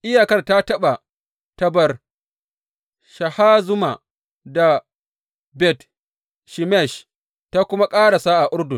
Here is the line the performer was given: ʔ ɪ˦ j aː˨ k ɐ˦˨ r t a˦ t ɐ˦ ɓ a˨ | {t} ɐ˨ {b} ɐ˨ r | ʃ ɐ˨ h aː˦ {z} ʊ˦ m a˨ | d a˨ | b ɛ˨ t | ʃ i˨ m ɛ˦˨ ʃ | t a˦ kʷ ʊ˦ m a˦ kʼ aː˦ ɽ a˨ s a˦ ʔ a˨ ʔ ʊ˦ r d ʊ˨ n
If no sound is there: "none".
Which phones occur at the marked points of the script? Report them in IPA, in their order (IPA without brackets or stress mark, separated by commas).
t, b, z